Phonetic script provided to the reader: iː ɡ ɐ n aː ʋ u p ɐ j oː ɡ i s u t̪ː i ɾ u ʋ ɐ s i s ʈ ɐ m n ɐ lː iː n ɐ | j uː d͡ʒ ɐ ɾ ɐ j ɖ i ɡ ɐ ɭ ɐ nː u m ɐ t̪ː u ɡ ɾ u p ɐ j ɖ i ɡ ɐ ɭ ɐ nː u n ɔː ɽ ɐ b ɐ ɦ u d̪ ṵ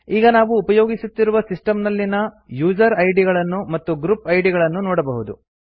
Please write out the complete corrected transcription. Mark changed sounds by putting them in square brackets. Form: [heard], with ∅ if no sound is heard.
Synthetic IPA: iː ɡ ɐ n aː ʋ [uː] p ɐ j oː ɡ i s u t̪ː i ɾ u ʋ ɐ s i s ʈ ɐ m n ɐ lː [i] n ɐ | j uː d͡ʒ ɐ ɾ ɐ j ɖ i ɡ ɐ ɭ ɐ nː u m ɐ t̪ː u ɡ ɾ u p ɐ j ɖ i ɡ ɐ ɭ ɐ nː u n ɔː ɽ ɐ b ɐ ɦ u d̪ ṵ

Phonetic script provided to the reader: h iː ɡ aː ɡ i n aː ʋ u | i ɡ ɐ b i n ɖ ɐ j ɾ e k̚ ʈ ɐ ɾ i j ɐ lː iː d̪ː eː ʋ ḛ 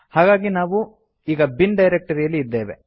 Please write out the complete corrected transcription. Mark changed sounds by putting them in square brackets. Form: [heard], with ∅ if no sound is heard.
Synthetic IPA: h [aː] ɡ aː ɡ i n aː ʋ u | [iː] ɡ ɐ b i n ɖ ɐ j ɾ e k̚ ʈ ɐ ɾ i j ɐ lː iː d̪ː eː ʋ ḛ

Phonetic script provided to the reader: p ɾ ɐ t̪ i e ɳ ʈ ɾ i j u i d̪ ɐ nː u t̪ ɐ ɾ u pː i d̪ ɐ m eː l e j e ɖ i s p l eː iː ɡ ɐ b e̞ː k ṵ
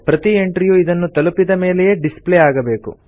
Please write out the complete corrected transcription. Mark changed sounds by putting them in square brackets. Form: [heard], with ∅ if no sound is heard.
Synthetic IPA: p ɾ ɐ t̪ i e ɳ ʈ ɾ i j u i d̪ ɐ nː u t̪ ɐ [l] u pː i d̪ ɐ m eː l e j e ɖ i s p l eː [aː] ɡ ɐ b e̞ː k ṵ

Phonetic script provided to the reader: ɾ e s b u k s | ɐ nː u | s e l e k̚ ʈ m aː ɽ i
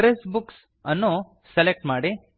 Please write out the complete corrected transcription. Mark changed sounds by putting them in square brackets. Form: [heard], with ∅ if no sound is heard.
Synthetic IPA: ɾ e s b u k s | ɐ nː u | s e l e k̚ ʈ m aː ɽ i

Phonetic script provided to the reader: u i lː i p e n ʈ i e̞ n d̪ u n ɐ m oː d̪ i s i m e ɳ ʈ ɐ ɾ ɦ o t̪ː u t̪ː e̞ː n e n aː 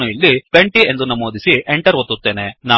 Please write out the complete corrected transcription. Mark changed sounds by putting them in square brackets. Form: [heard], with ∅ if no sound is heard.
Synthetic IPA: u i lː i p e [ɳ] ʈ i e̞ n d̪ u n ɐ m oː d̪ i s i [∅] e ɳ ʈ ɐ ɾ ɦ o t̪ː u t̪ː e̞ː n e n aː

